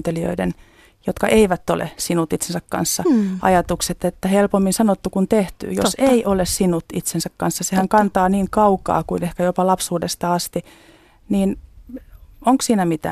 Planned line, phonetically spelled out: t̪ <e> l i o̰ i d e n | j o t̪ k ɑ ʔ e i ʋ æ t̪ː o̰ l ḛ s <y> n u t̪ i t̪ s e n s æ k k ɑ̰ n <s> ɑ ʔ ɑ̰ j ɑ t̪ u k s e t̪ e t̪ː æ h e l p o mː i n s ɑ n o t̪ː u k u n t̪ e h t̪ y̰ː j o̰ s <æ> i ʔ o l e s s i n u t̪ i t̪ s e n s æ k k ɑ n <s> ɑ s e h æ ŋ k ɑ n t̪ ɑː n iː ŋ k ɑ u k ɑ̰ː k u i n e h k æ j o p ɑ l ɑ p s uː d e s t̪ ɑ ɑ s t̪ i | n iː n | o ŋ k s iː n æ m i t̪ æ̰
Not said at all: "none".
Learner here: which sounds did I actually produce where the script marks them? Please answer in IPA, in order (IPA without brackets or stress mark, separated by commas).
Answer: e, i, sː, e, sː